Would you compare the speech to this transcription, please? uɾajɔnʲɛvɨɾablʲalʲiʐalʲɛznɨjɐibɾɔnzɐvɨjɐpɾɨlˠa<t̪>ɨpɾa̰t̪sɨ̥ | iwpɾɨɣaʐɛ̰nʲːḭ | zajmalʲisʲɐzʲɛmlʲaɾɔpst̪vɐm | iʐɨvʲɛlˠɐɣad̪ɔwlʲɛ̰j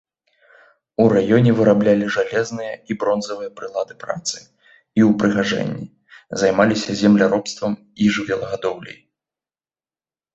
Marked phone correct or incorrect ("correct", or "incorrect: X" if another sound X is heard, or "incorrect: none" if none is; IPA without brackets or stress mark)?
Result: incorrect: d̪